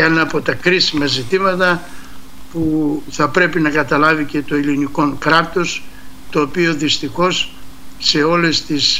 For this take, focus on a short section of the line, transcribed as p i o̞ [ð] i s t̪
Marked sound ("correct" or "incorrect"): correct